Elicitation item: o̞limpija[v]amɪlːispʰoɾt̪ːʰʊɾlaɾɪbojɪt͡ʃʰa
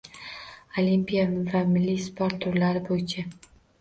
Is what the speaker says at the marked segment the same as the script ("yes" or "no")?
yes